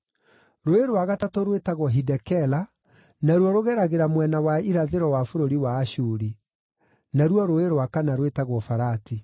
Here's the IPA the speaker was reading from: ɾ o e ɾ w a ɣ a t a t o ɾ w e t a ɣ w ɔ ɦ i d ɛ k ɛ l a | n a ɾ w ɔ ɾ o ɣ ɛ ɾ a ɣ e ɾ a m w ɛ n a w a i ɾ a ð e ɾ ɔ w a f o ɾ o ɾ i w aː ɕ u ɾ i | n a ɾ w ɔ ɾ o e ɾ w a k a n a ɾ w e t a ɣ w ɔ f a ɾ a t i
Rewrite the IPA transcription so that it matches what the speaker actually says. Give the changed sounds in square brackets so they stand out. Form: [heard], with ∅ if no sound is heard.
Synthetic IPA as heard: ɾ o e ɾ w a ɣ a t a t o ɾ w e t a ɣ w ɔ ɦ i d ɛ k ɛ l a | n a ɾ w ɔ ɾ o ɣ ɛ ɾ a ɣ e ɾ a m w ɛ n a w a i ɾ a ð e ɾ ɔ w a f o ɾ o ɾ i w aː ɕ u ɾ i | n a ɾ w ɔ ɾ o e ɾ w a k a n a ɾ w e t a ɣ w ɔ f a ɾ a t i

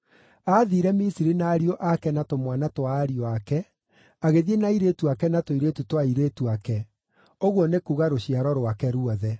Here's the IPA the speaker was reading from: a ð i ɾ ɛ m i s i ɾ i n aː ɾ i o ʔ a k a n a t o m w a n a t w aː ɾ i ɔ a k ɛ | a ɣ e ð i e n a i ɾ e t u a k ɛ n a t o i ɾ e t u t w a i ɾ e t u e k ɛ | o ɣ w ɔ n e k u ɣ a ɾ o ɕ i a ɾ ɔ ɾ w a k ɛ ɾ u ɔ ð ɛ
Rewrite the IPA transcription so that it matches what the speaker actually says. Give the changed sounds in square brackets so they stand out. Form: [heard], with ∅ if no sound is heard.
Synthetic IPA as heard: a ð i ɾ ɛ m i s i ɾ i n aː ɾ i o ʔ a k [ɛ] n a t o m w a n a t w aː ɾ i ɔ a k ɛ | a ɣ e ð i e n a i ɾ e t u a k ɛ n a t o i ɾ e t u t w a i ɾ e t u [a] k ɛ | o ɣ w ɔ n e k u ɣ a ɾ o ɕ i a ɾ ɔ ɾ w a k ɛ ɾ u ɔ ð ɛ

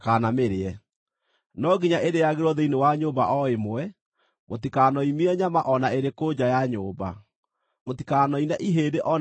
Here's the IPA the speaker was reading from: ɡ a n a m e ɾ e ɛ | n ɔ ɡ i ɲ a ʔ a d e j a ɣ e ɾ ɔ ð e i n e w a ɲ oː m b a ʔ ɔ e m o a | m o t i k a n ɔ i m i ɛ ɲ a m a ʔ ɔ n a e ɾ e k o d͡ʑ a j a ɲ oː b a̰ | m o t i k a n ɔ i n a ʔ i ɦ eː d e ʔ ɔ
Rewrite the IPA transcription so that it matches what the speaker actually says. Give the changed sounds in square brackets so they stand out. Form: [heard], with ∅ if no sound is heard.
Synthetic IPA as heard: [k] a n a m e ɾ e ɛ | n ɔ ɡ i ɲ a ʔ [e] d e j a ɣ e ɾ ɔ ð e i n e w a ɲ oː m b a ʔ ɔ e m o [ɛ] | m o t i k a n ɔ i m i ɛ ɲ a m a ʔ ɔ n a e ɾ e k o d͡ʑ a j a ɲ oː b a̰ | m o t i k a n ɔ i n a ʔ i ɦ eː d e ʔ ɔ

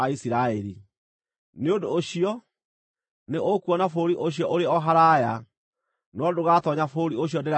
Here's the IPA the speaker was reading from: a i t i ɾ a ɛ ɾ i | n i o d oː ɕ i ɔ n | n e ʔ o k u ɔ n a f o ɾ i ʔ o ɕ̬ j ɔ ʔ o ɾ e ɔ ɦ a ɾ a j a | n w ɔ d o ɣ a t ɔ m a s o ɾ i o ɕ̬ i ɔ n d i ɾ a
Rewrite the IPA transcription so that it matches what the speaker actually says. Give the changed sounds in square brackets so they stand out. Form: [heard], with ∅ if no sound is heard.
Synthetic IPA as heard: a i [s] i ɾ a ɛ ɾ i | n [e] o d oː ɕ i ɔ [∅] | n e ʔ o k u ɔ n a f o ɾ i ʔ o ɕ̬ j ɔ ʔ o ɾ e ɔ ɦ a ɾ a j a | n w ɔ d o ɣ a t ɔ [ɲ] a [f] o ɾ i o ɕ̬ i ɔ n d [e] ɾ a

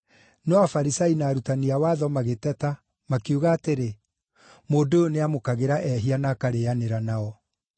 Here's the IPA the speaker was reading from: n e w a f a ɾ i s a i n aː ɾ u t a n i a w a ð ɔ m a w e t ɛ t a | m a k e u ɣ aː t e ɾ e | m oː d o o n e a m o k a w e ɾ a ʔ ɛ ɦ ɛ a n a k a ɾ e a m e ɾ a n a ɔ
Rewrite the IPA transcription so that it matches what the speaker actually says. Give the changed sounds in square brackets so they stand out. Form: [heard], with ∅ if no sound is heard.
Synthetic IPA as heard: n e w a f a ɾ i s a i n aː ɾ u t a n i a w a ð ɔ m a [ɣ] e t ɛ t a | m a k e u ɣ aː t e ɾ e | m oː d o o n e a m o k a [ɣ] e ɾ a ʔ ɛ ɦ [i] a n a k a ɾ e a [n] e ɾ a n a ɔ

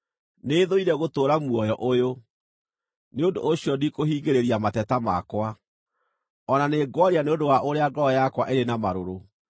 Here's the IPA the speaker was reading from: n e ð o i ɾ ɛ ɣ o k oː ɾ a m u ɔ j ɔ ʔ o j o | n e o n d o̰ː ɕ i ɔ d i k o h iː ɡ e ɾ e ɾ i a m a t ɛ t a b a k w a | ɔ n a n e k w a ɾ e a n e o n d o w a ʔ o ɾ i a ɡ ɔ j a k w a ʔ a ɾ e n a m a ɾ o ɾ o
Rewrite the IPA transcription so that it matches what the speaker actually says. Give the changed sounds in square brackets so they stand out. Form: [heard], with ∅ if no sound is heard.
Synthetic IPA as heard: n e ð o i ɾ ɛ ɣ o [t] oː ɾ a m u ɔ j ɔ ʔ o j o | n e o n d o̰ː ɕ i ɔ d i k o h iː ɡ e ɾ e ɾ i a m a t ɛ t a [m] a k w a | ɔ n a n e [ɡ] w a ɾ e a n e o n d o w a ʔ o ɾ [e] a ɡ ɔ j a k w a ʔ [e] ɾ e n a m a ɾ o ɾ o

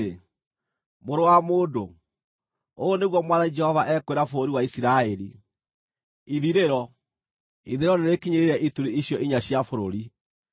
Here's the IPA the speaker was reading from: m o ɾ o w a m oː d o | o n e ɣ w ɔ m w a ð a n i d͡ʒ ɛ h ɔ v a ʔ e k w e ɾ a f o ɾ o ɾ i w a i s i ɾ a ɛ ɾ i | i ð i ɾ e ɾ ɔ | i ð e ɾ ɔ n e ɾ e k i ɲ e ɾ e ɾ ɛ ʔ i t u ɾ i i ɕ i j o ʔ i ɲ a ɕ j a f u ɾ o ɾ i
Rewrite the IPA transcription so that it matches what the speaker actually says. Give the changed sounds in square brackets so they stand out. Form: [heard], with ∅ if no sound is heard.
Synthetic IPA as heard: m o ɾ o w a m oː d o | o n e ɣ w ɔ m w a ð a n i d͡ʒ ɛ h ɔ v a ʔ [ɛ] k w e ɾ a f o ɾ o ɾ i w a i s i ɾ a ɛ ɾ i | i ð i ɾ e ɾ ɔ | i ð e ɾ ɔ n e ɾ e k i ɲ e ɾ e ɾ ɛ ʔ i t u ɾ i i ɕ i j [ɔ] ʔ i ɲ a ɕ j a f [o] ɾ o ɾ i

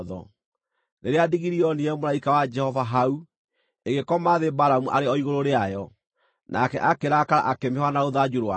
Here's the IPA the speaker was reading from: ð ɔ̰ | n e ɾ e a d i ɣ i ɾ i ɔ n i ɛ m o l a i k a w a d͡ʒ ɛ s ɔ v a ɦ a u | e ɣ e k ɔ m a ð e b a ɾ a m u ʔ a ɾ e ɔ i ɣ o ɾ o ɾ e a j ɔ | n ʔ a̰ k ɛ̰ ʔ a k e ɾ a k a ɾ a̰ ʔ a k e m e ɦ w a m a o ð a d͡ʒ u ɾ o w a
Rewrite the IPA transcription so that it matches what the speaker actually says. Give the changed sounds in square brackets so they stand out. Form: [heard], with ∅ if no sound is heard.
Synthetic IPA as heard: ð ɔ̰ | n e ɾ e a d i ɣ i ɾ i ɔ n i ɛ m o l a i k a w a d͡ʒ ɛ [h] ɔ v a ɦ a u | e ɣ e k ɔ m a ð e b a ɾ a m u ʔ a ɾ e ɔ i ɣ o ɾ o ɾ e a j ɔ | n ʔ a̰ k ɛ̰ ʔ a k e ɾ a k a ɾ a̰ ʔ a k e m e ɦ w a [n] a o ð a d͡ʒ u ɾ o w a

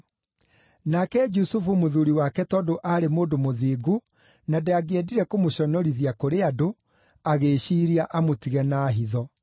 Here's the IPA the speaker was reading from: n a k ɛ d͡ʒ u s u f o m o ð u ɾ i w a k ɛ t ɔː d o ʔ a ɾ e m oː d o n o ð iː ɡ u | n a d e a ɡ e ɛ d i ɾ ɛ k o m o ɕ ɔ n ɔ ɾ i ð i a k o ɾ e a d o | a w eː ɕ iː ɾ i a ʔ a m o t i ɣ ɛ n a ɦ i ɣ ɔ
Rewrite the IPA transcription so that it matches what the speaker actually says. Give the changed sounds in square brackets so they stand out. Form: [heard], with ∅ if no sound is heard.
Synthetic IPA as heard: n a k ɛ d͡ʒ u s u f [u] m o ð u ɾ i w a k ɛ t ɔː d o ʔ a ɾ e m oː d o [m] o ð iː ɡ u | n a d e a ɡ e ɛ d i ɾ ɛ k o m o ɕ ɔ n ɔ ɾ i ð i a k o ɾ e a d o | a [ɣ] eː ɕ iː ɾ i a ʔ a m o t i ɣ ɛ n a ɦ i [ð] ɔ

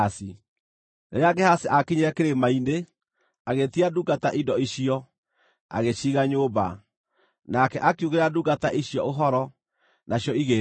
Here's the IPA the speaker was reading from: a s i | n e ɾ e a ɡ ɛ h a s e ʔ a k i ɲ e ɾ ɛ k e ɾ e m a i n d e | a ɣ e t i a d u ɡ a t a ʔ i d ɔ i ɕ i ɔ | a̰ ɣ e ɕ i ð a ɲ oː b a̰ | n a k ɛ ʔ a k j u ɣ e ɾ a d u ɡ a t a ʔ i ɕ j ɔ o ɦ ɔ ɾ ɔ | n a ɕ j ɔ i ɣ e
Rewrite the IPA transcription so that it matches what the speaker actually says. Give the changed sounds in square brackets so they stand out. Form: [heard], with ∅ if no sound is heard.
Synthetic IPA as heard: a s i | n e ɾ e a ɡ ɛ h a s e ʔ a k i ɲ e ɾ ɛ k e ɾ e m a i n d e | a ɣ e t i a d u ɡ a t a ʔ i d ɔ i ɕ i ɔ | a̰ ɣ e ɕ i [ɣ] a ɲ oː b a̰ | n a k ɛ ʔ a k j u ɣ e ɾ a d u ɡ a t a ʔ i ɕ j ɔ o ɦ ɔ ɾ ɔ | n a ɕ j ɔ i ɣ e

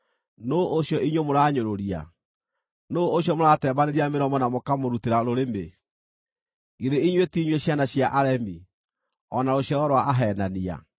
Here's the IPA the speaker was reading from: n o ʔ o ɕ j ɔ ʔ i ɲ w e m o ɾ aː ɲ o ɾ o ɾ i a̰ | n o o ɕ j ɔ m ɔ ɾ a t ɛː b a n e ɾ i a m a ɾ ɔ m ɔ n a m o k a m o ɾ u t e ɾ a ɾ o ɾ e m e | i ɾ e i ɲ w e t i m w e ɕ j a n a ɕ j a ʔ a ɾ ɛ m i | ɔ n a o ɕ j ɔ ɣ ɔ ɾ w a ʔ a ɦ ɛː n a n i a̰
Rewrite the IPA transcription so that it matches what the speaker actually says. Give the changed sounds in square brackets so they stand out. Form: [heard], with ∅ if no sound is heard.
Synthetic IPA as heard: n o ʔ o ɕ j ɔ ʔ i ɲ w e m o ɾ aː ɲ o ɾ o ɾ i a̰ | n o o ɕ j ɔ m [o] ɾ a t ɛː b a n e ɾ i a m [e] ɾ ɔ m ɔ n a m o k a m o ɾ u t e ɾ a ɾ o ɾ e m e | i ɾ e i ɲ w e t i [ɲ] w e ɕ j a n a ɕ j a ʔ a ɾ ɛ m i | ɔ n a o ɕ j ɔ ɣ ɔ ɾ w a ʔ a ɦ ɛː n a n i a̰

